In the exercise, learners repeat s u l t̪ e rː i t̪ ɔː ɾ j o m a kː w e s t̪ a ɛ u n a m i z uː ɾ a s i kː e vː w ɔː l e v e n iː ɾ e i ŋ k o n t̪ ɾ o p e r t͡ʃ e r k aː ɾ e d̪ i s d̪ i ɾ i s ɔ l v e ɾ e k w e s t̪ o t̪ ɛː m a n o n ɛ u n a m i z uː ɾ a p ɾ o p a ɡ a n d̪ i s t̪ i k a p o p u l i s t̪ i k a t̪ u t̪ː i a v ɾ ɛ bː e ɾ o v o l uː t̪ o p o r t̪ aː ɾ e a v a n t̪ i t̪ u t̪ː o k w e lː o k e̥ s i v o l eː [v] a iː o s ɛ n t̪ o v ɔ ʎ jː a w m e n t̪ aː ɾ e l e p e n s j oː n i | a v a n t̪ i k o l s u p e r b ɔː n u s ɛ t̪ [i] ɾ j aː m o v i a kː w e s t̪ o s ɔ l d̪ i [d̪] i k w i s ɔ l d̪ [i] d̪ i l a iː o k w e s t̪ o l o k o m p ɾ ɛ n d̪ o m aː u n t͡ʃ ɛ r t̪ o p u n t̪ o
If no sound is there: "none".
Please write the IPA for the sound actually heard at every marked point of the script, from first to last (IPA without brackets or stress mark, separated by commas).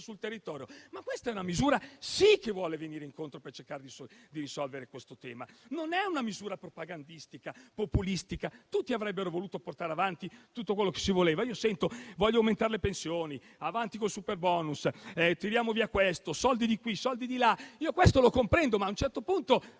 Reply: v, i, d̪, i